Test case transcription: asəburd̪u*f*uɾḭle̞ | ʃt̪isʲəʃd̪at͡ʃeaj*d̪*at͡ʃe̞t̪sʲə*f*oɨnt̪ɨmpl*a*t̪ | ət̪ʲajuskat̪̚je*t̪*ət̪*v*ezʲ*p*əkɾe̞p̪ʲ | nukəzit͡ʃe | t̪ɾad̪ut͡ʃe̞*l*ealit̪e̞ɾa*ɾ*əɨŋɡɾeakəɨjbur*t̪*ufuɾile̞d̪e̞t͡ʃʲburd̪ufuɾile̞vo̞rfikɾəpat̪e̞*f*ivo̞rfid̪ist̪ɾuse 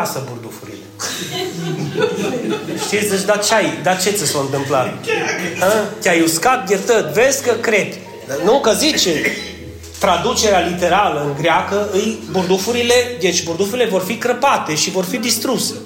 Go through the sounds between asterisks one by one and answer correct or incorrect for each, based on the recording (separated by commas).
correct, correct, incorrect, correct, correct, correct, incorrect, incorrect, incorrect, incorrect, incorrect